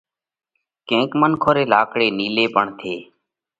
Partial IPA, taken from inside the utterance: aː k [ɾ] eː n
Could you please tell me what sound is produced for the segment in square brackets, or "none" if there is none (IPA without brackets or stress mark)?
ɽ